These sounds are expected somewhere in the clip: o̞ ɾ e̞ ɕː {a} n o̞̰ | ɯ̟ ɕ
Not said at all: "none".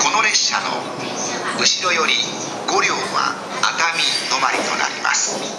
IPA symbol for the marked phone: a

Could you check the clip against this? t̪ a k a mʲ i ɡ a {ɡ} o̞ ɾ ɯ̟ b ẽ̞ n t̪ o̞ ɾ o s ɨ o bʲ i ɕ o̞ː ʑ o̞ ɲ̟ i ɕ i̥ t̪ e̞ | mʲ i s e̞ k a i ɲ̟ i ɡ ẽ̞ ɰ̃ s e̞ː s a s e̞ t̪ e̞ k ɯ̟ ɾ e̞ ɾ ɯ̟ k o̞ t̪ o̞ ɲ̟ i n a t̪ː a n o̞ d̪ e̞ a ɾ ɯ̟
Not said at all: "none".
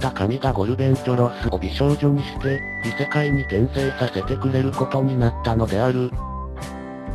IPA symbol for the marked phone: ɡ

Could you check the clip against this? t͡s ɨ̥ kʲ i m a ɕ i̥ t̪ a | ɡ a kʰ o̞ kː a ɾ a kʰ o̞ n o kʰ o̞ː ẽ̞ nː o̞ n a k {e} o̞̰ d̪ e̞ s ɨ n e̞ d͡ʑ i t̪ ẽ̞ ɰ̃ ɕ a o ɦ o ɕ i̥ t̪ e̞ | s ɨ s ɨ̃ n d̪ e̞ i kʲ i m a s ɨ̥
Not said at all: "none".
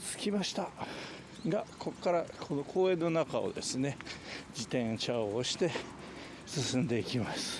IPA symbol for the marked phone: a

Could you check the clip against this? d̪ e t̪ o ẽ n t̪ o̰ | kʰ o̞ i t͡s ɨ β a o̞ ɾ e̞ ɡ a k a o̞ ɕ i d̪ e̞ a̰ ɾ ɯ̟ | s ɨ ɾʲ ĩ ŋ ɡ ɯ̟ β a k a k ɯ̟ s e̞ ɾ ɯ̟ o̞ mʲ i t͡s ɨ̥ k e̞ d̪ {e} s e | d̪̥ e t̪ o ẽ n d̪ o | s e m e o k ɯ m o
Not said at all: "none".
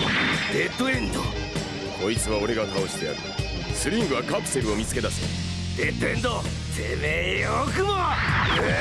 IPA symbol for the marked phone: a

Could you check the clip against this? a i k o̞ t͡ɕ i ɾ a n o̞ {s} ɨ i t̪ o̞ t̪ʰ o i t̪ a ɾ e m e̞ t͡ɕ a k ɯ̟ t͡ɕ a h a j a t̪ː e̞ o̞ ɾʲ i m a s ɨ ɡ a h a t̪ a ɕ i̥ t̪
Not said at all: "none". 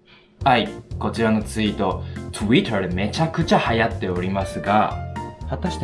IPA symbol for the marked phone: t͡s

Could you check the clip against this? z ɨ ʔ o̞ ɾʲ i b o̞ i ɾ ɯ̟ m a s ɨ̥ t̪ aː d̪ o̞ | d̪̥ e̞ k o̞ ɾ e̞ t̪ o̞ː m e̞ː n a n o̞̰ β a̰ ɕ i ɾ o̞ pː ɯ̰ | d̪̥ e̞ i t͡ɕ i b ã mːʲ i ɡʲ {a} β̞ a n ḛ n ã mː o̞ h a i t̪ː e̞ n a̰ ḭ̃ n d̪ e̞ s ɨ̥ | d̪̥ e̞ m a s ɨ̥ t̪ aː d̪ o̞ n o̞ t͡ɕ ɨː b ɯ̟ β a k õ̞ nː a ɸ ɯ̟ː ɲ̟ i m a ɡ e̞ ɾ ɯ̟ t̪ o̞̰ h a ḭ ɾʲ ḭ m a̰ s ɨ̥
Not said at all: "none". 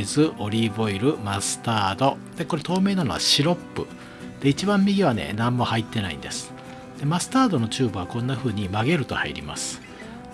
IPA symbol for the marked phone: i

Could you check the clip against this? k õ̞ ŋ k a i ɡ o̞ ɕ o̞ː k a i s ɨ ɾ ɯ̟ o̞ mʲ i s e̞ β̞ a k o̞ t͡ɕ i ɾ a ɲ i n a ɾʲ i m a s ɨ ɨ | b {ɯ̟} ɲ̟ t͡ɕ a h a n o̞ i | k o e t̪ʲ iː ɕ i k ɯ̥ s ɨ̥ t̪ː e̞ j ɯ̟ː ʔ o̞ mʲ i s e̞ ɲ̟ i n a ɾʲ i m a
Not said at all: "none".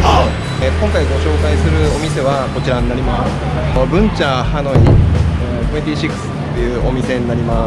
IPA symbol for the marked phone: ɯ̟̃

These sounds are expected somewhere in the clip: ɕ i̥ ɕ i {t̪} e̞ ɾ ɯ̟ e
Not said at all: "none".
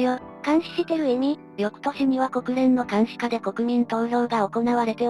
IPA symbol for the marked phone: t̪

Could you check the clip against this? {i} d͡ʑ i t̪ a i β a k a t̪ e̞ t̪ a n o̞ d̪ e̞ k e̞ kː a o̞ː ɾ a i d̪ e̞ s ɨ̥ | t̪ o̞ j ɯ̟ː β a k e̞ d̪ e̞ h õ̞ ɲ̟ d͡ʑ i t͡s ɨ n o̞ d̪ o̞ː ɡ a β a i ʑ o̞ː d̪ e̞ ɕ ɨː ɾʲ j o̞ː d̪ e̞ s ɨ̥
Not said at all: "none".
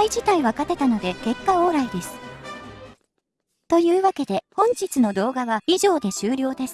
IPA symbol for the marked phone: i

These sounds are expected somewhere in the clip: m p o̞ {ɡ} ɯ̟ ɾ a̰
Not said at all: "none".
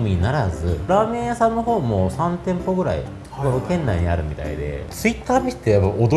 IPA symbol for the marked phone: ɡ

